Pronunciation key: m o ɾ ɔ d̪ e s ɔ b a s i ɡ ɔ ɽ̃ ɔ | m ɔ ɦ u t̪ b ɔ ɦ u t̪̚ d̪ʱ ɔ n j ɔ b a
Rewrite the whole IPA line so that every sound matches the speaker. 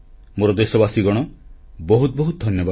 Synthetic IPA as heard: m o ɾ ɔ d̪ e s ɔ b a s i ɡ ɔ ɽ̃ ɔ | b ɔ ɦ u t̪ b ɔ ɦ u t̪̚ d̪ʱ ɔ n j ɔ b a